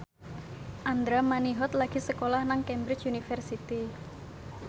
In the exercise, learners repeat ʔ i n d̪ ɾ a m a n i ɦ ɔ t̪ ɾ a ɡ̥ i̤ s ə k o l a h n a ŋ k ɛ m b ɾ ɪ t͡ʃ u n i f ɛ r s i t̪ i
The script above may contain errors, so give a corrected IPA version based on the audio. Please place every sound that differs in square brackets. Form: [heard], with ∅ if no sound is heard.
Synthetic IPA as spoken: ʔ [a] n d̪ ɾ a m a n i ɦ ɔ t̪ [l] a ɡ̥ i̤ s ə k o l a h n a ŋ k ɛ m b ɾ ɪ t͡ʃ u n i f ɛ r s i t̪ i